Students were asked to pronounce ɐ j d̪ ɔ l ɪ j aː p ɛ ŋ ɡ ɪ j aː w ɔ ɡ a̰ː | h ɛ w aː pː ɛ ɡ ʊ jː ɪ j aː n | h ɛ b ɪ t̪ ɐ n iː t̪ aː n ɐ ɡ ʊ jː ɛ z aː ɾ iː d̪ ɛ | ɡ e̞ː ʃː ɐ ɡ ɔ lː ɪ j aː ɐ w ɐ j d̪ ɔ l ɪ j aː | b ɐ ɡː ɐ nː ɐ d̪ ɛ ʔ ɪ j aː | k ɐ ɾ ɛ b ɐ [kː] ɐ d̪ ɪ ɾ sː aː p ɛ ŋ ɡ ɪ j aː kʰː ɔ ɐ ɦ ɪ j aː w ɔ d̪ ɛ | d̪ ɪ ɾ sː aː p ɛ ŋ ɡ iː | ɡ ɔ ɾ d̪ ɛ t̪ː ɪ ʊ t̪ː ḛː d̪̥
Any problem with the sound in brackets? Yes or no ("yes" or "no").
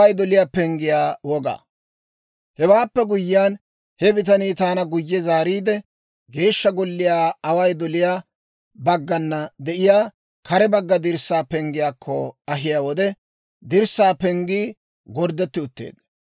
yes